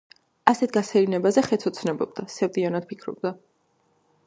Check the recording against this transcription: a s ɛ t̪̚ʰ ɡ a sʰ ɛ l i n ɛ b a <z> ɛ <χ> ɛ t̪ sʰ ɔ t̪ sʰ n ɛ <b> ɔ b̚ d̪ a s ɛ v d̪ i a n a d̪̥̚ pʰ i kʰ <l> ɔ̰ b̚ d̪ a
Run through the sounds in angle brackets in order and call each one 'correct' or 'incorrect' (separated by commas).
correct, correct, correct, incorrect